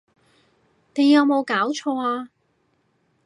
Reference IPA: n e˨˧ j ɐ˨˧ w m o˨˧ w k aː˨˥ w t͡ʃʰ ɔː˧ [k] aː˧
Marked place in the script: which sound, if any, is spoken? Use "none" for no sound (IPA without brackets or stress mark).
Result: none